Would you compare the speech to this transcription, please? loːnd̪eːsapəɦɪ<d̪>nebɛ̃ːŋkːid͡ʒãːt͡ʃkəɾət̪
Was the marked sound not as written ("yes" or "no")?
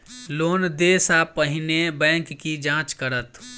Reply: yes